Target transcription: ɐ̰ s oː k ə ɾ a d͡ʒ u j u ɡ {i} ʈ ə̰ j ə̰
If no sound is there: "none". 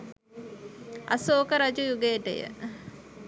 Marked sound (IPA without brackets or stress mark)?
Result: e